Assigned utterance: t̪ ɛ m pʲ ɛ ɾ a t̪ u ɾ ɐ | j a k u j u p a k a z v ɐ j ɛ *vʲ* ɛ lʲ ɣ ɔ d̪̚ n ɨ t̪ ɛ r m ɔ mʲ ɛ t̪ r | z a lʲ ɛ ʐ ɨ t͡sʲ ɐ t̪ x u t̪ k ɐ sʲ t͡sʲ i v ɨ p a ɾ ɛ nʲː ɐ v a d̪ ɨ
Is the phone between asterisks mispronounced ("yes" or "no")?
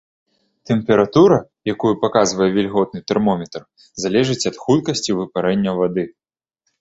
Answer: no